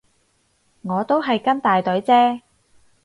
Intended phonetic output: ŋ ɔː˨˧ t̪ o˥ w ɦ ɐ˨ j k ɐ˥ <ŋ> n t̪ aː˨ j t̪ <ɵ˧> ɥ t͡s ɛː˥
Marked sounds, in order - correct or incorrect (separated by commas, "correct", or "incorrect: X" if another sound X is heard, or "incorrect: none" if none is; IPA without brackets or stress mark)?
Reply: incorrect: none, incorrect: ɵ˨˥